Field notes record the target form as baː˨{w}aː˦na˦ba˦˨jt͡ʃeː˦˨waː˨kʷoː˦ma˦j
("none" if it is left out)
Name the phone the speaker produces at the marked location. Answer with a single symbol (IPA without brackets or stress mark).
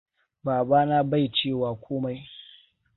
b